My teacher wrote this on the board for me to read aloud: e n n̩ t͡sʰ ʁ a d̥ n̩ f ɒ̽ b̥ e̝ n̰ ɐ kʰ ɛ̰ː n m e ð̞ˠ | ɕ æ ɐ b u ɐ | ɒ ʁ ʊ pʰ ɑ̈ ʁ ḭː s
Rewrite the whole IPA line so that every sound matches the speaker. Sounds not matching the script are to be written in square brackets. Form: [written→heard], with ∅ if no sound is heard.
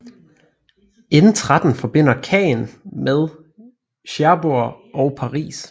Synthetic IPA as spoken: e n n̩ t͡sʰ ʁ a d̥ n̩ f ɒ̽ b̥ e̝ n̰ ɐ kʰ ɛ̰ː n m e ð̞ˠ | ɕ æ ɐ b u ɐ | ɒ [ʁ→∅] ʊ pʰ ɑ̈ ʁ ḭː s